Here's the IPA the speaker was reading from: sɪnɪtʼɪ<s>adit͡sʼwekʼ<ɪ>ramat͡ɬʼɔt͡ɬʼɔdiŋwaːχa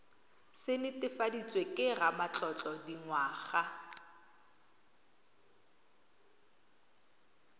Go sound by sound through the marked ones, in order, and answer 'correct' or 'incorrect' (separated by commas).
incorrect, correct